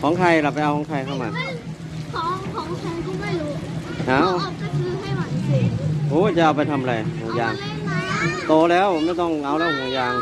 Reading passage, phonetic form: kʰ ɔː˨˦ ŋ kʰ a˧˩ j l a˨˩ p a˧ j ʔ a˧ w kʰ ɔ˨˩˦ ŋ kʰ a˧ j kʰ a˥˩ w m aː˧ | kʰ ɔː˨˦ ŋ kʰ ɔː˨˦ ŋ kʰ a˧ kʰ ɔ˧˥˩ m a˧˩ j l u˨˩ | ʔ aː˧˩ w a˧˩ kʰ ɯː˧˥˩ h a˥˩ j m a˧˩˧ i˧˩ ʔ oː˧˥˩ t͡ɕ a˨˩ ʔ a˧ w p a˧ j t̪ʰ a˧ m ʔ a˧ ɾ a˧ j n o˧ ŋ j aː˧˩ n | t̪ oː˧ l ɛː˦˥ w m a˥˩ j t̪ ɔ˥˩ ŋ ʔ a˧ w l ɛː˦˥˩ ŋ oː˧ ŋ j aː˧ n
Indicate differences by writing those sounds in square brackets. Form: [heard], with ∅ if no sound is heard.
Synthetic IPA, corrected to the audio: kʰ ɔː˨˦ ŋ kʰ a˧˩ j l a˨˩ p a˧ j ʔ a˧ w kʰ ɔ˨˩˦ ŋ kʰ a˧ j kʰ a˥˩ w m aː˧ | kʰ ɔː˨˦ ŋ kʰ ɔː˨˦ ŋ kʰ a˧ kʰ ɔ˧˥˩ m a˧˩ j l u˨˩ | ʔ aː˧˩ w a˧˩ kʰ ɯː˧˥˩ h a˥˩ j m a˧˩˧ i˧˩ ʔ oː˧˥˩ t͡ɕ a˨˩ ʔ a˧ w p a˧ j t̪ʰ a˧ m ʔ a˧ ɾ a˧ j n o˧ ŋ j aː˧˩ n | t̪ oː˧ l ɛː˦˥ w m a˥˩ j t̪ ɔ˥˩ ŋ ʔ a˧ w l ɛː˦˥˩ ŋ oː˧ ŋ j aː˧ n